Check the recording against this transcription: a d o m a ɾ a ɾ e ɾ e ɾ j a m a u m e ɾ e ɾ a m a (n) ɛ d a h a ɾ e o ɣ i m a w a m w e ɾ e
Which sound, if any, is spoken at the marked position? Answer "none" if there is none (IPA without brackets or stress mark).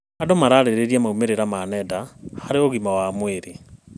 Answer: n